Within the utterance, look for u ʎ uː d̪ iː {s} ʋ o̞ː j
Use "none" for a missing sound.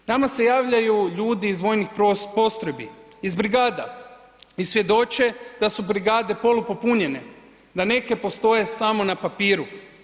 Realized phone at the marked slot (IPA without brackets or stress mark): z